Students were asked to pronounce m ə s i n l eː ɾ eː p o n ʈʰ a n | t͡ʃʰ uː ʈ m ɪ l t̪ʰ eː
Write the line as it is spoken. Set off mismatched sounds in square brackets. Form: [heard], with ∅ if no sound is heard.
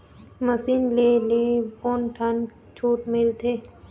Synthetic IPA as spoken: m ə s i n l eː [l] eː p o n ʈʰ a n | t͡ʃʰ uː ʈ m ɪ l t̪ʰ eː

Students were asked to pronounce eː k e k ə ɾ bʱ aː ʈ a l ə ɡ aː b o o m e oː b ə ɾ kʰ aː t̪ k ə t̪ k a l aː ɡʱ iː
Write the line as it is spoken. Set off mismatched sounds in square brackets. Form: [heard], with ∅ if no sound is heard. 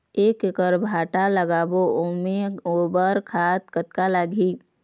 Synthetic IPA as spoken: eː k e k ə ɾ bʱ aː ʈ a l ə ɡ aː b o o m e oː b ə ɾ kʰ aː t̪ k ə t̪ k a l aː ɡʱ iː

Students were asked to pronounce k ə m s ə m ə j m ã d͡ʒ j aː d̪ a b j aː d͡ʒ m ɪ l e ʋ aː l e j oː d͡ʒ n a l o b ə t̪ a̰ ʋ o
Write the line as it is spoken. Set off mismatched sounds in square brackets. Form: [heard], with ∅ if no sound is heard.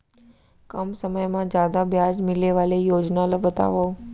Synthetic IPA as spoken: k ə m s ə m ə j m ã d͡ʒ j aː d̪ a b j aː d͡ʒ m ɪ l e ʋ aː l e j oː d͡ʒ n a l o b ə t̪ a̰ ʋ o

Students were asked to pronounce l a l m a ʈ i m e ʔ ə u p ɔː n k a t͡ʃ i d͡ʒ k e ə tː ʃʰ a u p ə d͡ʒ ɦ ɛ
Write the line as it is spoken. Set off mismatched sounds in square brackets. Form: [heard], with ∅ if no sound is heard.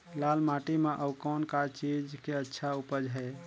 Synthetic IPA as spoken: l a l m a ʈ i m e ʔ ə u [k] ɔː n k a t͡ʃ i d͡ʒ k e ə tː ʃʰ a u p ə d͡ʒ ɦ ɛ

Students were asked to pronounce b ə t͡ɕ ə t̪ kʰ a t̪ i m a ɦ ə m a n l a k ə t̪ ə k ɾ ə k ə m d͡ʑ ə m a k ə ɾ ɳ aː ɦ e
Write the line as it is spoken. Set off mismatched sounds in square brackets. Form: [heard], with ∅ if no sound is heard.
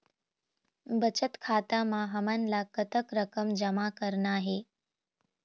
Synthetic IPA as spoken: b ə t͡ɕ ə t̪ kʰ a t̪ [a] m a ɦ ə m a n l a k ə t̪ ə k ɾ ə k ə m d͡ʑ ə m a k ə ɾ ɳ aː ɦ e

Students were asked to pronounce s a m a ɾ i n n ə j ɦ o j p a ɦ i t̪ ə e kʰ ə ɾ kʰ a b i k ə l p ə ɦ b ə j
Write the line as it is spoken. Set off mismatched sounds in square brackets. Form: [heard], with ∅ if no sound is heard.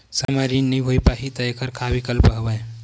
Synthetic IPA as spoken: s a m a ɾ i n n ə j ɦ o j p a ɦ i t̪ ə e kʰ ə ɾ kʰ a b i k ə l p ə ɦ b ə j

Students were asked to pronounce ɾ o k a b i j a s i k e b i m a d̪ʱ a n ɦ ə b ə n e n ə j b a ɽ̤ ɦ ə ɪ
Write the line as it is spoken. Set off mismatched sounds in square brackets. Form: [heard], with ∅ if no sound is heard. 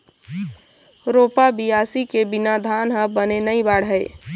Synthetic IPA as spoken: ɾ o [p] a b i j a s i k e b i [n] a d̪ʱ a n ɦ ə b ə n e n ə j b a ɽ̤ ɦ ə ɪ

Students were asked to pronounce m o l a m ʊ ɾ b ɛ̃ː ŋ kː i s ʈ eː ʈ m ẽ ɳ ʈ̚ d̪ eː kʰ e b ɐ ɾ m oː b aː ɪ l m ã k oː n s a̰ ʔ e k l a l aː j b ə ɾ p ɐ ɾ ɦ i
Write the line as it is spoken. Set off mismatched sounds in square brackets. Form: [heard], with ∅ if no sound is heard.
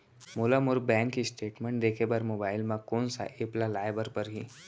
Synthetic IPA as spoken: m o l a m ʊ ɾ b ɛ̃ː ŋ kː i s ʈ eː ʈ m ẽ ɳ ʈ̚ d̪ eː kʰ e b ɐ ɾ m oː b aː ɪ l m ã k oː n s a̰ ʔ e [p] l a l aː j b ə ɾ p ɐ ɾ ɦ i

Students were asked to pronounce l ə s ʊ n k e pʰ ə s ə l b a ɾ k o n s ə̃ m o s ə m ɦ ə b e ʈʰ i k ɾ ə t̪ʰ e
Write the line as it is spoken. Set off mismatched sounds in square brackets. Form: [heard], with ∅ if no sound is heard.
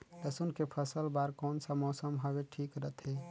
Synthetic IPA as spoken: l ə s [u] n k e pʰ ə s ə l b a ɾ k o n s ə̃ m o s ə m ɦ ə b e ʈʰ i k ɾ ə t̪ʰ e

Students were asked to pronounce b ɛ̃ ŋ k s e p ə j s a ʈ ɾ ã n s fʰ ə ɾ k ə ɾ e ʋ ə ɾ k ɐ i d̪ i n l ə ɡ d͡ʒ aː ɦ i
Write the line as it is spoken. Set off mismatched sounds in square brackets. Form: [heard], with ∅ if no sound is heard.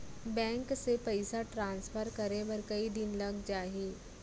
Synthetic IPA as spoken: b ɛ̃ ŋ k s e p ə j s a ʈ ɾ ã n s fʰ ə ɾ k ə ɾ e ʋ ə ɾ k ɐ i d̪ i n l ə ɡ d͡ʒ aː ɦ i

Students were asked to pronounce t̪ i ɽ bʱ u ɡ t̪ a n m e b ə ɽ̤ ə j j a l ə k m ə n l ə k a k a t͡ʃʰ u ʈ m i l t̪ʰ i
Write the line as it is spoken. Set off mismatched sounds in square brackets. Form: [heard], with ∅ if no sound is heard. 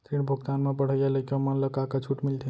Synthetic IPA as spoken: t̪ i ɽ bʱ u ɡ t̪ a n m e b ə ɽ̤ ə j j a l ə k m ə n l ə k a k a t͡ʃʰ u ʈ m i l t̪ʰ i

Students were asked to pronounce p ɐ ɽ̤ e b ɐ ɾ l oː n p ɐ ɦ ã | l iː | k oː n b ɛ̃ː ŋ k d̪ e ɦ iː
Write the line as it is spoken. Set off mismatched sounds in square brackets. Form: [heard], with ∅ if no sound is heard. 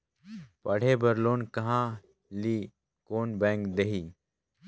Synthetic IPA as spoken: p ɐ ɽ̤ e b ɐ ɾ l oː n [k] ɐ ɦ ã | l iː | k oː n b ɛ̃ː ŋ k d̪ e ɦ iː

